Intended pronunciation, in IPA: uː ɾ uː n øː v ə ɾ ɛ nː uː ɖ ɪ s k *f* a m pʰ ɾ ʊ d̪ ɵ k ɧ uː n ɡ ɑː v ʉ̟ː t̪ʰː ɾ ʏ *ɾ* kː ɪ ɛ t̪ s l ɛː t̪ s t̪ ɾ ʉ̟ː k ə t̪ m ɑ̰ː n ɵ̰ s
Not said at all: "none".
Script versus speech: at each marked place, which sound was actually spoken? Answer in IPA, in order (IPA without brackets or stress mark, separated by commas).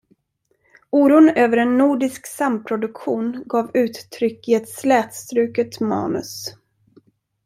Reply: s, none